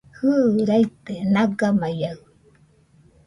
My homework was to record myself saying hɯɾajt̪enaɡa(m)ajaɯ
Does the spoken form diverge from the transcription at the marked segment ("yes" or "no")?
no